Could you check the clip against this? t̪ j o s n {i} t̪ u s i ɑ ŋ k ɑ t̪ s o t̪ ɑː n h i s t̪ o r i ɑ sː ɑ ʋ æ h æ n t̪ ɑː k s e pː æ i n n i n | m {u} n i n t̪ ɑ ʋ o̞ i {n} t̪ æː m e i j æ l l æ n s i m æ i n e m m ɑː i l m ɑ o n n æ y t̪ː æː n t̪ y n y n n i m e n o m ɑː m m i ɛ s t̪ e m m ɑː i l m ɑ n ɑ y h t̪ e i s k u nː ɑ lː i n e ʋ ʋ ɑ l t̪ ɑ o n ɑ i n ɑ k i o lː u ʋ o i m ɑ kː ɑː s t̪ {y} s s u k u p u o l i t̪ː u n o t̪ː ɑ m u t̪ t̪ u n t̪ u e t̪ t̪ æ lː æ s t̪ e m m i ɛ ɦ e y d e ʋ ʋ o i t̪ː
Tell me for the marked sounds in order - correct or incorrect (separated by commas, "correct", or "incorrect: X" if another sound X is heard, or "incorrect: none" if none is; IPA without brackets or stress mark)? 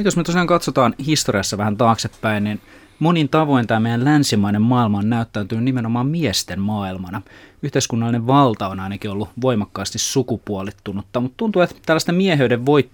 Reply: incorrect: y, incorrect: o, correct, incorrect: i